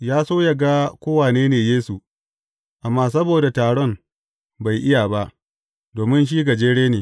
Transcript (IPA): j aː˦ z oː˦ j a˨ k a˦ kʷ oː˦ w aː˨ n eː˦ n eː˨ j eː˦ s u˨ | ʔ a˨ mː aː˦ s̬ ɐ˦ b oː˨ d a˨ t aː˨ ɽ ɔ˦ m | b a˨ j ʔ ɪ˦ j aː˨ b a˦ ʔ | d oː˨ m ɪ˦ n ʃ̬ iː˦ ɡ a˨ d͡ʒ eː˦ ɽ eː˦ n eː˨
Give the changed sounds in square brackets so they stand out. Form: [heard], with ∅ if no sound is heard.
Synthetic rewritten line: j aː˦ [s] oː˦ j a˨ [ɡ] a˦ kʷ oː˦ w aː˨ n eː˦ n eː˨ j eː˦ s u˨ | ʔ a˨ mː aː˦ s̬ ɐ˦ b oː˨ d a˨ t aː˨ ɽ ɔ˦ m | b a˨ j ʔ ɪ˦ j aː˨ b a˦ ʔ | d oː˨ m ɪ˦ n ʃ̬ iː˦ ɡ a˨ d͡ʒ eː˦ ɽ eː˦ n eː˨

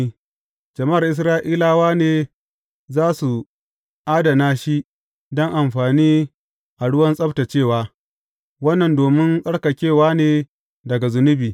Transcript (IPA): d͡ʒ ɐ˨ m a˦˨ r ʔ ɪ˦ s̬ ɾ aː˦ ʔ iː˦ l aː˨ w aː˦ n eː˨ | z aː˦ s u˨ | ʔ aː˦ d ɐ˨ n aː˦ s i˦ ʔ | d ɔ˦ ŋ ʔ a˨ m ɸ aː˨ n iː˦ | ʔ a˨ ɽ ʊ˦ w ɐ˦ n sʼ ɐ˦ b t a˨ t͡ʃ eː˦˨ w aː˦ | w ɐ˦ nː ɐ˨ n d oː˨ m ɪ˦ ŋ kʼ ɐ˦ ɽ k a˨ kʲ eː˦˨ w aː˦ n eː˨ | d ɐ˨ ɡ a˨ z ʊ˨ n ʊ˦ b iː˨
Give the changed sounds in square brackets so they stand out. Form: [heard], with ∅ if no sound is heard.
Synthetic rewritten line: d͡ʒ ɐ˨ m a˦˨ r ʔ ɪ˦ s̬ ɾ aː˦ ʔ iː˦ l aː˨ w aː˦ n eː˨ | z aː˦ s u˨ | ʔ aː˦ d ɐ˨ n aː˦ [ʃ] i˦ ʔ | d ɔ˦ ŋ ʔ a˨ m ɸ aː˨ n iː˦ | ʔ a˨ ɽ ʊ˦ w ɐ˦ n sʼ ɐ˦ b t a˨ t͡ʃ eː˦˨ w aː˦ | w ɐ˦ nː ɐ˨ n d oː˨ m ɪ˦ ŋ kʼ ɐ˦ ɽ k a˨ kʲ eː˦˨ w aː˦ n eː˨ | d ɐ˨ ɡ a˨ z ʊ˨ n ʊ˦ b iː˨

